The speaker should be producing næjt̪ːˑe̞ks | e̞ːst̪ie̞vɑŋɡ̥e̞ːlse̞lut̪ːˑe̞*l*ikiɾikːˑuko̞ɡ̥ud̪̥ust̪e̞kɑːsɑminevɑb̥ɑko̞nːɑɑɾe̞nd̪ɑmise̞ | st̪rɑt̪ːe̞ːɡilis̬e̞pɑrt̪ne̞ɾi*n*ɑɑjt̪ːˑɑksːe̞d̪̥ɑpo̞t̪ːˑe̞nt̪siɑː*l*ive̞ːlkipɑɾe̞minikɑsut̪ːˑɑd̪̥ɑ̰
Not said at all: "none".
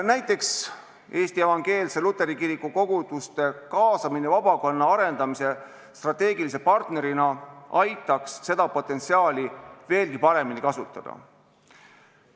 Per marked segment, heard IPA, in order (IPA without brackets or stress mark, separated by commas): ɾ, n, l